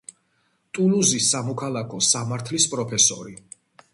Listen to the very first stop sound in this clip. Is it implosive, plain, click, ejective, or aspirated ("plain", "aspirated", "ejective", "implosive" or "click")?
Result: ejective